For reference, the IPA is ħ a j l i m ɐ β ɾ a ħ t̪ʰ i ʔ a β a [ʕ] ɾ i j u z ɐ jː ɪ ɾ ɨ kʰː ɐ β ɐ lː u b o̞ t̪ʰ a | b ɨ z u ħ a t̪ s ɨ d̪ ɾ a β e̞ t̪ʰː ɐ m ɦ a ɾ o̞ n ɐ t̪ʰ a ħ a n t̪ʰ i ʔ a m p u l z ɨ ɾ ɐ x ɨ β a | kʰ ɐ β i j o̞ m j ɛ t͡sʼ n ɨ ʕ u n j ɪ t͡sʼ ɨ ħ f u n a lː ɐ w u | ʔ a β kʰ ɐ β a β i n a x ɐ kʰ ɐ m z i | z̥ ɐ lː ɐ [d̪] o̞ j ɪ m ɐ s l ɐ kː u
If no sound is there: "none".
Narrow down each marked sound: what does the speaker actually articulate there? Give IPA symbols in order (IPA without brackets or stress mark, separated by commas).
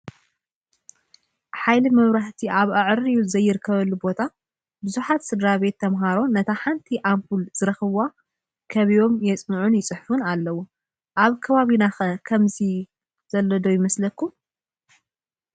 ʕ, d̪